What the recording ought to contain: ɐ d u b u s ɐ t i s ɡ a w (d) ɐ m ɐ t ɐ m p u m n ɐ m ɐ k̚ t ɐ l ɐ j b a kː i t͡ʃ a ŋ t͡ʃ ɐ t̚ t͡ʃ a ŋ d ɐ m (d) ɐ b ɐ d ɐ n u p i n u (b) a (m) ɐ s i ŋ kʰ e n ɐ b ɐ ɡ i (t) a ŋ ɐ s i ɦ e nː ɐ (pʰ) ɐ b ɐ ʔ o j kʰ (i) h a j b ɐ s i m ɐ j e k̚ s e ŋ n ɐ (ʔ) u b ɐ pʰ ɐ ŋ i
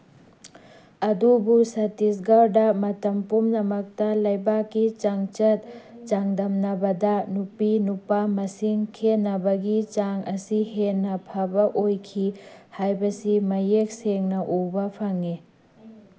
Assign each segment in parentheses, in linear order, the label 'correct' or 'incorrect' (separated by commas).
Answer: correct, incorrect, incorrect, correct, incorrect, correct, correct, correct